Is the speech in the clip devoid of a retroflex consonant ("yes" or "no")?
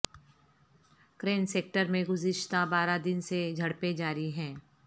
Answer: no